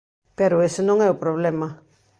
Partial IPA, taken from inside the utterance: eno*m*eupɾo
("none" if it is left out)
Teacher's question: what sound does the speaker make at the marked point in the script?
ŋ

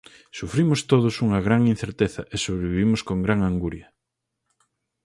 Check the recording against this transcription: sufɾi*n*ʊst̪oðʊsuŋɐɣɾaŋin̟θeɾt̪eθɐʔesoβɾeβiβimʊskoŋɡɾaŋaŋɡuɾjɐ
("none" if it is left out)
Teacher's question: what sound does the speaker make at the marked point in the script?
m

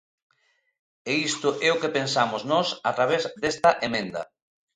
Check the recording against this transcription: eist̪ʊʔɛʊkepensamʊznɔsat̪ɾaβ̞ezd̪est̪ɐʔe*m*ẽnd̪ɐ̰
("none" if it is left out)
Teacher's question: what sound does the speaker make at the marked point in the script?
m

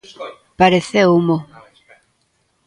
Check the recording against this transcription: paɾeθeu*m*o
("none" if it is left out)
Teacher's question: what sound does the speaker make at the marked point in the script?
m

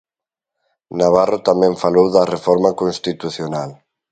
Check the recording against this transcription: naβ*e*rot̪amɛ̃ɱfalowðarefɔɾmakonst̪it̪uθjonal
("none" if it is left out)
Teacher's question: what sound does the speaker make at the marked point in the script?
a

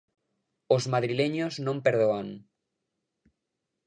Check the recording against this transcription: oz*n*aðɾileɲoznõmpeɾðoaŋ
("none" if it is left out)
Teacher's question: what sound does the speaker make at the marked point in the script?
m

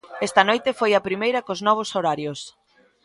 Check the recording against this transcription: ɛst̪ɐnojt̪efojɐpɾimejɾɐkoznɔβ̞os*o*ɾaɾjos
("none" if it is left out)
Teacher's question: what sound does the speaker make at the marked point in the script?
o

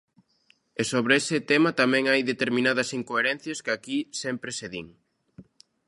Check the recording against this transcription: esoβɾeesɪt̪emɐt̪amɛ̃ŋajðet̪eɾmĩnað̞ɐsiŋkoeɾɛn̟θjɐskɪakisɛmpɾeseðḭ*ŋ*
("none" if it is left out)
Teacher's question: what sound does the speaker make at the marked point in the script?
ŋ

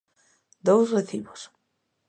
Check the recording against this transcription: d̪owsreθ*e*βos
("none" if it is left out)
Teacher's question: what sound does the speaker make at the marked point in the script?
i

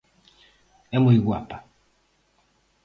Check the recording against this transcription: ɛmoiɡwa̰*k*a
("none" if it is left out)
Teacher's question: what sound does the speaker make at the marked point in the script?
p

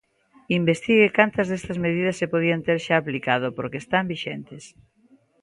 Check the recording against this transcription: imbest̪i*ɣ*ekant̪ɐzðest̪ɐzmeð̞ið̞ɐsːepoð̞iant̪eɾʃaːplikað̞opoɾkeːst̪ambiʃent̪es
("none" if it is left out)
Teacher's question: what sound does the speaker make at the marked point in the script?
ɣ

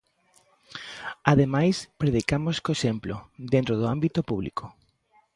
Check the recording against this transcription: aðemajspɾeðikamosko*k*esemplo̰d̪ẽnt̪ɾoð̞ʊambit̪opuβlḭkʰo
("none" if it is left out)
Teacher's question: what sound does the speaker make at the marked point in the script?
none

